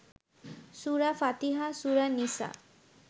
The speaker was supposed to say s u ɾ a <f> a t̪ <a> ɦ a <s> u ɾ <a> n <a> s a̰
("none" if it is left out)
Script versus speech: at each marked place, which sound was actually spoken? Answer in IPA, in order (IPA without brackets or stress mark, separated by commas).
f, i, s, a, i